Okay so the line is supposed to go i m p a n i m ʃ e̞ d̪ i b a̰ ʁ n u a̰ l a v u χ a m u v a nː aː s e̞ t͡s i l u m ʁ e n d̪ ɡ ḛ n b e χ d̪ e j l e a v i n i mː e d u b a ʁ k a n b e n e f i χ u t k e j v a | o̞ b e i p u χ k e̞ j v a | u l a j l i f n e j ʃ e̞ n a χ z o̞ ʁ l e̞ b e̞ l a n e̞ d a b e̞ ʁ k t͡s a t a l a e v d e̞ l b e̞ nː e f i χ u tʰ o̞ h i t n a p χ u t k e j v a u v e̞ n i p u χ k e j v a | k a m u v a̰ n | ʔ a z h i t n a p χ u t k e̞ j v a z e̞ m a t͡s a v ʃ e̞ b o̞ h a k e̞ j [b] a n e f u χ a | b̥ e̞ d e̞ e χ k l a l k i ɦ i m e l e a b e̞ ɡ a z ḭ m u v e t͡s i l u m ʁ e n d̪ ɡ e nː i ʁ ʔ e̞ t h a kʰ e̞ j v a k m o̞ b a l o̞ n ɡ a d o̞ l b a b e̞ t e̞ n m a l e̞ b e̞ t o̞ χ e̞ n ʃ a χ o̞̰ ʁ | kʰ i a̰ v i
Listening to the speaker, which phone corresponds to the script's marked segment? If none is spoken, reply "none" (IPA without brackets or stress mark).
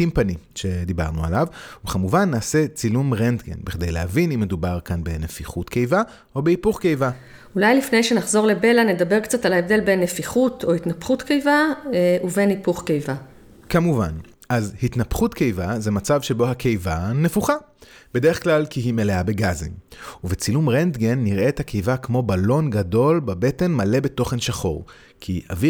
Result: v